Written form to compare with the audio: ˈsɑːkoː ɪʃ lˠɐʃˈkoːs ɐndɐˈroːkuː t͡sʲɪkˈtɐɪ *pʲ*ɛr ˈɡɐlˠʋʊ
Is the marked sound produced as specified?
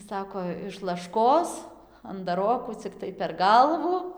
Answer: yes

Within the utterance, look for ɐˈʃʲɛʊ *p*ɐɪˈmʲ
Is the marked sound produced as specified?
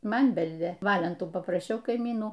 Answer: no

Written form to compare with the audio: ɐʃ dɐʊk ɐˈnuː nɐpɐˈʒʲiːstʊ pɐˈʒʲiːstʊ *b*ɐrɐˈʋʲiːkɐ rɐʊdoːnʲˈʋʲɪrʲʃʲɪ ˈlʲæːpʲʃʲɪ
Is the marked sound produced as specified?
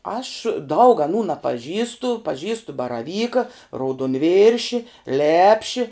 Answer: yes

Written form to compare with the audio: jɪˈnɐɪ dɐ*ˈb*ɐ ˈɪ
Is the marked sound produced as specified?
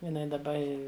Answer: yes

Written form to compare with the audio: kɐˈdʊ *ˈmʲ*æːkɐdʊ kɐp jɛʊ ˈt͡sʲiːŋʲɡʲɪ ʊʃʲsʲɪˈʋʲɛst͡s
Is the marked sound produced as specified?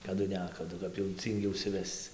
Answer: no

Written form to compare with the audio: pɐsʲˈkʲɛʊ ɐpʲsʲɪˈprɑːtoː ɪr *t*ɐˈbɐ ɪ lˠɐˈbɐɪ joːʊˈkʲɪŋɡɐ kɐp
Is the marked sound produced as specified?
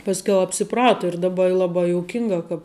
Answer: no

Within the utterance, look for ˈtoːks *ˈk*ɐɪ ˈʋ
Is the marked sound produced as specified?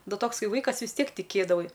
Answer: yes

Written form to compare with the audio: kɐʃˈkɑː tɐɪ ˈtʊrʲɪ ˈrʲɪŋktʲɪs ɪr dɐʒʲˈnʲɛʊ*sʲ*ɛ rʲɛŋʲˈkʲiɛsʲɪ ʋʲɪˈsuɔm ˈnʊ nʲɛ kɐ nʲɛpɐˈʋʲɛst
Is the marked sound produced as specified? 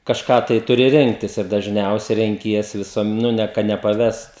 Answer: yes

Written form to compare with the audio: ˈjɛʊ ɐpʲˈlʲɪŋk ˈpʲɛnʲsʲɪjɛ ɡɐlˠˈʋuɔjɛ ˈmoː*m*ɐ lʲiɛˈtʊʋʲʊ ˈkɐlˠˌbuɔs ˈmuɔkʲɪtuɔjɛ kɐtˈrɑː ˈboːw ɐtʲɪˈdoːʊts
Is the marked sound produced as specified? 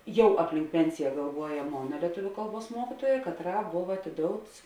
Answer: no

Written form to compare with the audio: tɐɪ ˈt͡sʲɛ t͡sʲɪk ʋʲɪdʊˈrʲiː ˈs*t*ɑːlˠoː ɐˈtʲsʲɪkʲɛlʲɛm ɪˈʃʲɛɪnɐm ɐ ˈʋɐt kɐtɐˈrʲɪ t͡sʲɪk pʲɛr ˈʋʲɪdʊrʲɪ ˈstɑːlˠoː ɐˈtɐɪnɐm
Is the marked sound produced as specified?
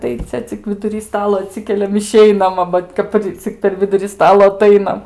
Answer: yes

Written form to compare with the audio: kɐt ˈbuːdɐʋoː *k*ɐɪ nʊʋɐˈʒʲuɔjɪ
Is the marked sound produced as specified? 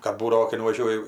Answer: yes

